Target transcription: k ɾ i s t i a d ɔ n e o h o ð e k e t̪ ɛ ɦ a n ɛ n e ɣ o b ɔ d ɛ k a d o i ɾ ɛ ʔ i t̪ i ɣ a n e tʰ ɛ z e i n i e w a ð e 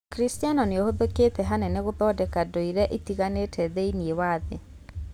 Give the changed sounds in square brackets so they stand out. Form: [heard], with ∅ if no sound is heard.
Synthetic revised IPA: k ɾ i s t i a [n] ɔ n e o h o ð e k e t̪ ɛ ɦ a n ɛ n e ɣ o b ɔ d ɛ k a d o i ɾ ɛ ʔ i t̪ i ɣ a n e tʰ ɛ [ð] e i n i e w a ð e